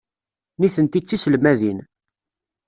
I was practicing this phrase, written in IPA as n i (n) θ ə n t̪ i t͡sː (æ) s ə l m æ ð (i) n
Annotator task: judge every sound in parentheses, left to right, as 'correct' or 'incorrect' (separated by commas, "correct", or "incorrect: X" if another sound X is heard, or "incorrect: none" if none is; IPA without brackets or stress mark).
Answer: incorrect: none, incorrect: i, correct